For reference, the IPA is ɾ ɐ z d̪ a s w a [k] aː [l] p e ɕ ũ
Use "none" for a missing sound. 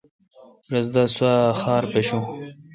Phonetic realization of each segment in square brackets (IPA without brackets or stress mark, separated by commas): x, ɾ